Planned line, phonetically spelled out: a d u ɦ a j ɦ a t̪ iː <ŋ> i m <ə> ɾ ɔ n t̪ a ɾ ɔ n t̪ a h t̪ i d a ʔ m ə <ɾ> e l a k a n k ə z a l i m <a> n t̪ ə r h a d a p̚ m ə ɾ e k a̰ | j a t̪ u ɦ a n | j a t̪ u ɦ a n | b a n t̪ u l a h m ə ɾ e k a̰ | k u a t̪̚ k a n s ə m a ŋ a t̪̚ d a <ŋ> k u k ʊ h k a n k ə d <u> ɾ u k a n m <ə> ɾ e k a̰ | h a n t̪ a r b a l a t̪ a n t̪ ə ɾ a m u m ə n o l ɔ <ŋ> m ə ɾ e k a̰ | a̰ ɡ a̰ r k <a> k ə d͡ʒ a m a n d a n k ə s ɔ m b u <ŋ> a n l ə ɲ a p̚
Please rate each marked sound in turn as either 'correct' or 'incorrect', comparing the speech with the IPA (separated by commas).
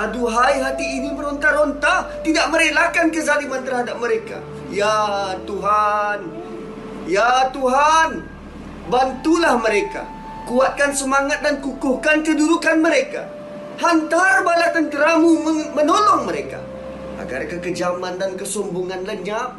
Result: incorrect, correct, correct, correct, incorrect, correct, correct, correct, incorrect, correct